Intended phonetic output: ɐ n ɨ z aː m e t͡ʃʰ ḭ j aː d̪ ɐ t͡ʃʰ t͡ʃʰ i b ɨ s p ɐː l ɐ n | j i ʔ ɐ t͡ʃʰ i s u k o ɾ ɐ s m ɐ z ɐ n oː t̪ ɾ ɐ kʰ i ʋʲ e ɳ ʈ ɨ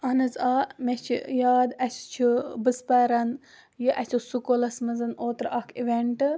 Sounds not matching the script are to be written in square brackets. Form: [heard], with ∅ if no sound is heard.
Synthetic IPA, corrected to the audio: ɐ n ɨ z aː m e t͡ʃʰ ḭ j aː d̪ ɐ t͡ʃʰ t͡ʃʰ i b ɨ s p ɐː [ɾ] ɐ n | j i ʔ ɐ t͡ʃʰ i s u k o [l] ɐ s m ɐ z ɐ n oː t̪ ɾ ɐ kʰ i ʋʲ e ɳ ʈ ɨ